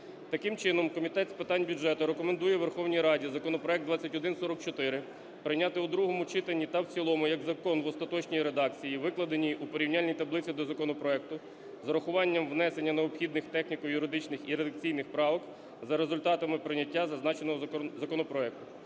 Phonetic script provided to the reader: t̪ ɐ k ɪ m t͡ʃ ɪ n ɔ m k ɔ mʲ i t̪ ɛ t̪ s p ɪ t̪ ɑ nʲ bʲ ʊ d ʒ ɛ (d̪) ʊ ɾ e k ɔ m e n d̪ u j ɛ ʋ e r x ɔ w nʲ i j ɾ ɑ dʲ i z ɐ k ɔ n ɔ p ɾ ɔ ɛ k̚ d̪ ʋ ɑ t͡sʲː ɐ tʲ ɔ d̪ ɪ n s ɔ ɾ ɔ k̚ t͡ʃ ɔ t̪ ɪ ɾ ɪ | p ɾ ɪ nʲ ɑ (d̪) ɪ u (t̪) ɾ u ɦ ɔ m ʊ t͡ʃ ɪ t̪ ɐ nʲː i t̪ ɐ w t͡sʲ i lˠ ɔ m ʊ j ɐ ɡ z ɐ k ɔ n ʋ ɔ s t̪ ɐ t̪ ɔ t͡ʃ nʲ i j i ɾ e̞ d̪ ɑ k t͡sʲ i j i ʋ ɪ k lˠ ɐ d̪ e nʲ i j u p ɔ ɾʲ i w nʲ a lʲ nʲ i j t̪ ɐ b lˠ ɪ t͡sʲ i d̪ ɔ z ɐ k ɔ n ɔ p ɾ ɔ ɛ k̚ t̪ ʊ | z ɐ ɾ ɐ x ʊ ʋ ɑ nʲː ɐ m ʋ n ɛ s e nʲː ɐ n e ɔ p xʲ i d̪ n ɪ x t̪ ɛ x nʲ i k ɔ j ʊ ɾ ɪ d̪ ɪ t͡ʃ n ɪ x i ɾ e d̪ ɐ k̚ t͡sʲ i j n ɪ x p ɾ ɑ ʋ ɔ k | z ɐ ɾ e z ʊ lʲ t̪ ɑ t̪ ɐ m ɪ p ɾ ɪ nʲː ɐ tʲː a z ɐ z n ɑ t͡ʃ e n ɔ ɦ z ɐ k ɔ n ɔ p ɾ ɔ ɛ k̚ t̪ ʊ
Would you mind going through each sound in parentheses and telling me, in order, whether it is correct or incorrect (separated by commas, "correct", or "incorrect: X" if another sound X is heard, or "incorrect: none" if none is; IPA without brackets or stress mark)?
incorrect: t̪, incorrect: t̪, incorrect: d̪